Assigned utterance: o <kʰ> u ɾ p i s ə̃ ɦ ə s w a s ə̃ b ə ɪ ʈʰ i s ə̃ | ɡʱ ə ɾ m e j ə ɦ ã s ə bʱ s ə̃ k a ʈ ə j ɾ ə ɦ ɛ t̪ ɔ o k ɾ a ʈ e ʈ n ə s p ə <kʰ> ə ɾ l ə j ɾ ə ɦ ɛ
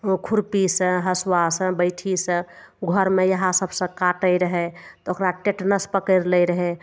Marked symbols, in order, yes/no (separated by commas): yes, no